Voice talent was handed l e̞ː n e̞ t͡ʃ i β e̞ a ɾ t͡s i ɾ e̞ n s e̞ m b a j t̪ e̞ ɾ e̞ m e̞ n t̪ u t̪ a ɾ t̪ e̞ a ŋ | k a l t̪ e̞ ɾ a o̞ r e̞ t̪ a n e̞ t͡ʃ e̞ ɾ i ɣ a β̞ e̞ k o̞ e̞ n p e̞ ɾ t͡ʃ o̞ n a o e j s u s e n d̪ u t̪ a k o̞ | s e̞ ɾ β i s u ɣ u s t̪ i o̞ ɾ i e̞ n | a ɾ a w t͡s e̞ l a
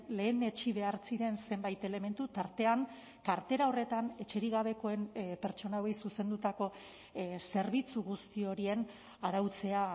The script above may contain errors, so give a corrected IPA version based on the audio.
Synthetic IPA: l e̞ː n e̞ t͡ʃ i β e̞ a ɾ t͡s i ɾ e̞ n s e̞ m b a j t̪ e̞ l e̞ m e̞ n t̪ u t̪ a ɾ t̪ e̞ a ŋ | k a ɾ t̪ e̞ ɾ a o̞ r e̞ t̪ a n e̞ t͡ʃ e̞ ɾ i ɣ a β̞ e̞ k o̞ e̞ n p e̞ ɾ t͡ʃ o̞ n a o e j s u s e n d̪ u t̪ a k o̞ | s e̞ ɾ β i t͡s u ɣ u s t̪ i o̞ ɾ i e̞ n | a ɾ a w t͡s e̞ a